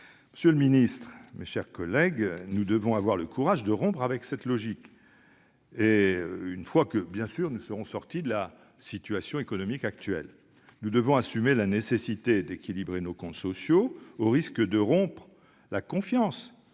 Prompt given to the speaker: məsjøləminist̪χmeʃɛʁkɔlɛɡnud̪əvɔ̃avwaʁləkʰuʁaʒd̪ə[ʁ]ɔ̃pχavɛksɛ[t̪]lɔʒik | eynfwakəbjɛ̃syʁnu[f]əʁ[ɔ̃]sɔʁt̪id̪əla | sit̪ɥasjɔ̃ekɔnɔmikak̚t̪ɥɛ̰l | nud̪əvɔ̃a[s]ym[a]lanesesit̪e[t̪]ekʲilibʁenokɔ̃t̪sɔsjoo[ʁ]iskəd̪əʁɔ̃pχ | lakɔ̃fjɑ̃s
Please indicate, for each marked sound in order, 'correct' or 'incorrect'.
correct, correct, incorrect, correct, correct, incorrect, incorrect, correct

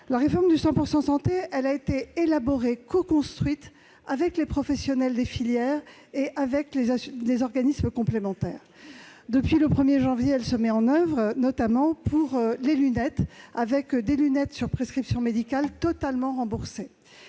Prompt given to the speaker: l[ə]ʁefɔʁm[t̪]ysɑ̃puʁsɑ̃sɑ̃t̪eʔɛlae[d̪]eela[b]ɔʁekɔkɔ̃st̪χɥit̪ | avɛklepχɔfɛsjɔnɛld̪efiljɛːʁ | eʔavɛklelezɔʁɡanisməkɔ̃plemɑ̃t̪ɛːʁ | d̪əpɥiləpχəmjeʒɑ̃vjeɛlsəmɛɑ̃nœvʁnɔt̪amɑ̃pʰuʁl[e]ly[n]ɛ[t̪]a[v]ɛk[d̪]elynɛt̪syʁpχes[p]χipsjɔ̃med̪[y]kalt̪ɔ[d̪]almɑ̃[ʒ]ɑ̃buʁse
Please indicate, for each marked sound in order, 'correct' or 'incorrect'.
incorrect, incorrect, incorrect, correct, correct, correct, correct, correct, correct, incorrect, incorrect, incorrect, incorrect

